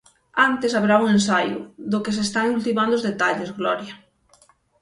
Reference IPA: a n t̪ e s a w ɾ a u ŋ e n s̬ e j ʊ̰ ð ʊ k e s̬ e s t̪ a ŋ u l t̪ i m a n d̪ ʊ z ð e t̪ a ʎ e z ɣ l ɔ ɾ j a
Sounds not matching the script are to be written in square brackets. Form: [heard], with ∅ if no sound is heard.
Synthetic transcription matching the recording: a n t̪ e s a [β] ɾ a u ŋ e n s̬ [a] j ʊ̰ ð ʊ k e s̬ e s t̪ a ŋ u l t̪ i m a n d̪ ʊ z ð e t̪ a ʎ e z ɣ l ɔ ɾ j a